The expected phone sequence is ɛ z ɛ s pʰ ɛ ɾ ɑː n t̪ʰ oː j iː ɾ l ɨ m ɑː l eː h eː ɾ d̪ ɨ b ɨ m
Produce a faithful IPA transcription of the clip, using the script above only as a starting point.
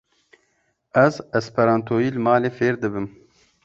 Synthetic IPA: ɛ z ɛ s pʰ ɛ ɾ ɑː n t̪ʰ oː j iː l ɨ m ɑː l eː f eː ɾ d̪ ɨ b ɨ m

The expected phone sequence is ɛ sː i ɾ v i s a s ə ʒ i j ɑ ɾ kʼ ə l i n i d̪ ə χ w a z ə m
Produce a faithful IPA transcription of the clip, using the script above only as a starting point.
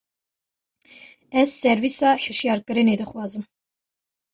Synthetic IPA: ɛ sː ɛ ɾ v i s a ħ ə ʃ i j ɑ ɾ kʼ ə ɾ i n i d̪ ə χ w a z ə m

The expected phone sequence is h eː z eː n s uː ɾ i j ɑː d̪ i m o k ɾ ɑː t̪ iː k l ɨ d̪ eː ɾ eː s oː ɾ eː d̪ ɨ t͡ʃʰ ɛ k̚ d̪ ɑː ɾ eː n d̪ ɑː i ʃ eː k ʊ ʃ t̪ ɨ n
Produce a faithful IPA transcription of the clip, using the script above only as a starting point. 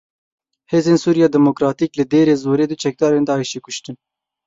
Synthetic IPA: h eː z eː n s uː ɾ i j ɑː d̪ ɛ m o k ɾ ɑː t̪ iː k l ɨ d̪ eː ɾ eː z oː ɾ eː d̪ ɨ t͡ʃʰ ɛ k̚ d̪ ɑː ɾ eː n d̪ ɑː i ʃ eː k ʊ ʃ t̪ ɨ n

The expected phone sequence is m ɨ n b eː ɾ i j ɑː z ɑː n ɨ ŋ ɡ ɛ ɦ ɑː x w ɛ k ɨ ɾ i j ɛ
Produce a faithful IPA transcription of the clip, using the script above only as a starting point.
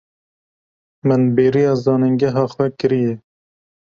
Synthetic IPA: m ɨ n b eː ɾ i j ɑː z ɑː n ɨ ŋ ɡ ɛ ɦ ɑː x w ɛ k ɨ ɾ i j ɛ

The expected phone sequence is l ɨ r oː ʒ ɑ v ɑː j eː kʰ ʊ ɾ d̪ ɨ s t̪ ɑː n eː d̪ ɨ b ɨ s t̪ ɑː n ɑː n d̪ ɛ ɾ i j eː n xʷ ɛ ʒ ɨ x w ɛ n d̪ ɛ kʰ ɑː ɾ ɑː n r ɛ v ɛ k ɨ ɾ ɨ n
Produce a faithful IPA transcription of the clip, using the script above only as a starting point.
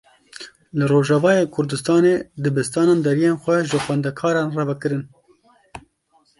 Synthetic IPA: l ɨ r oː ʒ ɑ v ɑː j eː kʰ ʊ ɾ d̪ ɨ s t̪ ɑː n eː d̪ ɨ b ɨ s t̪ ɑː n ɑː n d̪ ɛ ɾ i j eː n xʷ ɛ ʒ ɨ x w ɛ n d̪ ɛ kʰ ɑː ɾ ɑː n r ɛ v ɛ k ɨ ɾ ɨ n

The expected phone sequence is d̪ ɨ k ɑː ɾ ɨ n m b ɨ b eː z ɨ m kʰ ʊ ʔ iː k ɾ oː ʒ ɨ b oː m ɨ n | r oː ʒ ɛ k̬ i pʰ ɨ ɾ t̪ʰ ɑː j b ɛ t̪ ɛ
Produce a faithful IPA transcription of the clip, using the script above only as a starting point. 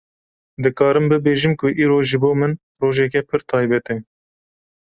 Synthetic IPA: d̪ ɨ k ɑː ɾ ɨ m b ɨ b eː ʒ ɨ m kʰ ʊ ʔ iː ɾ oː ʒ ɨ b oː m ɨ n | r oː ʒ ɛ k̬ ɛ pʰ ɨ ɾ t̪ʰ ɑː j b ɛ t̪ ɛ

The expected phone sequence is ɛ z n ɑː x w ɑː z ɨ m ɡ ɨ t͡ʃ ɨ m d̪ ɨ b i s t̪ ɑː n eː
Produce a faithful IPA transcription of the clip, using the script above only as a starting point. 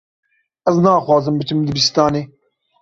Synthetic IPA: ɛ z n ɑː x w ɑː z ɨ m b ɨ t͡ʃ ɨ m d̪ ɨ b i s t̪ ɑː n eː

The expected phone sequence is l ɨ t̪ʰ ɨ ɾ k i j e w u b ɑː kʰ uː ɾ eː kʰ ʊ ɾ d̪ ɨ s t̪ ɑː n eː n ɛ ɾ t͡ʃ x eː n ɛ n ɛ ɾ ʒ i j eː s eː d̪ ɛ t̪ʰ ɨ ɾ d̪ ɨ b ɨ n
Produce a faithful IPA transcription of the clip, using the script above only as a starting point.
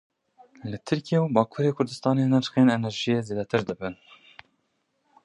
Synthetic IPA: l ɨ t̪ʰ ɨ ɾ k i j e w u b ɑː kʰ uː ɾ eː kʰ ʊ ɾ d̪ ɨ s t̪ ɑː n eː n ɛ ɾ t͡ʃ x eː n ɛ n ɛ ɾ ʒ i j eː z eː d̪ ɛ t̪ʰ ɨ ɾ d̪ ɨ b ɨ n

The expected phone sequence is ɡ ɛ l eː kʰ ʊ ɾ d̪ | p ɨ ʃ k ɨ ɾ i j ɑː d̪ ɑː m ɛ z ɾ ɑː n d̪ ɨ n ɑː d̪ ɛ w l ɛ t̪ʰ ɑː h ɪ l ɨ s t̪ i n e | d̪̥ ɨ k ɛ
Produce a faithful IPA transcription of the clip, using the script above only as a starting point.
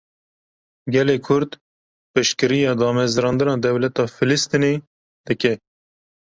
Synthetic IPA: ɡ ɛ l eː kʰ ʊ ɾ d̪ | p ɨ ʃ k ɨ ɾ i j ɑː d̪ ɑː m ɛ z ɾ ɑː n d̪ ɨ n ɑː d̪ ɛ w l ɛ t̪ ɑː f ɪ l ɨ s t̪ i n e | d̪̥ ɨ k ɛ

